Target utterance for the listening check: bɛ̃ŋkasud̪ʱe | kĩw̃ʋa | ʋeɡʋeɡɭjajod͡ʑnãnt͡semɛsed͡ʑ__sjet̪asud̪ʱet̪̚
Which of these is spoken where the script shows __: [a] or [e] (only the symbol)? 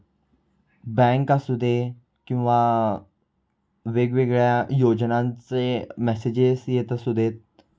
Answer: e